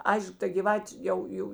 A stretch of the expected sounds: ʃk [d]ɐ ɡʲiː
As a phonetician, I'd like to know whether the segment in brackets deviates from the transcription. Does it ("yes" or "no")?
yes